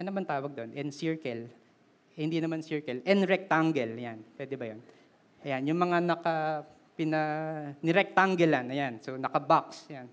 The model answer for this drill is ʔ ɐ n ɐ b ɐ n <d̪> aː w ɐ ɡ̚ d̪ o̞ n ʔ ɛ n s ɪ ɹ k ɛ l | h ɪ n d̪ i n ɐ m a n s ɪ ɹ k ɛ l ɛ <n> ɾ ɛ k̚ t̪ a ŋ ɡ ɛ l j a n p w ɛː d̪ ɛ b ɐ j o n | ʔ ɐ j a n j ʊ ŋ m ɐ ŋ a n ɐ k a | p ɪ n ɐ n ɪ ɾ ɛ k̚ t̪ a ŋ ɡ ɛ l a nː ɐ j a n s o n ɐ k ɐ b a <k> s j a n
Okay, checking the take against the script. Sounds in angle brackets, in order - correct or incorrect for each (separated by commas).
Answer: incorrect, correct, correct